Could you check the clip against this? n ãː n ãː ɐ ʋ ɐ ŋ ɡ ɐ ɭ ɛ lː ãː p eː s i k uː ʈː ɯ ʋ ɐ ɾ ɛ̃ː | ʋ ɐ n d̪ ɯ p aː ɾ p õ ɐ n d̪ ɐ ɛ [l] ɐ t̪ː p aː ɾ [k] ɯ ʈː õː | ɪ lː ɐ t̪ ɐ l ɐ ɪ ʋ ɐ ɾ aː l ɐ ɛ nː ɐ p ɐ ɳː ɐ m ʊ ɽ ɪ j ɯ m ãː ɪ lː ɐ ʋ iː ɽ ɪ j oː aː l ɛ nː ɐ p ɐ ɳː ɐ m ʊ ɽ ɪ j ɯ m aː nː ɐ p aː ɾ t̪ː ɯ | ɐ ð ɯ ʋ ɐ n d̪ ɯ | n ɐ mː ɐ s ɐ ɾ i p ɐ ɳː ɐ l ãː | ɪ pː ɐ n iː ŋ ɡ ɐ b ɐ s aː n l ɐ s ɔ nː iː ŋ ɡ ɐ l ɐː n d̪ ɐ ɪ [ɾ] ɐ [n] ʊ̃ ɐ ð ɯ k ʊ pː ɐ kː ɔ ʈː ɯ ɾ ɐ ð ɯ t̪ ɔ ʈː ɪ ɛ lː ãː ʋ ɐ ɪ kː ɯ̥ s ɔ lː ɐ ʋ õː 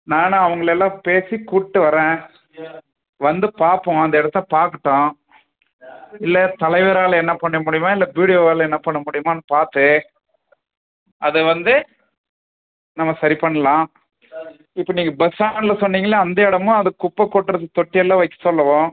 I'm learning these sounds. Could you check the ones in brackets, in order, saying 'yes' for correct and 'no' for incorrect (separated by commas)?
no, yes, no, no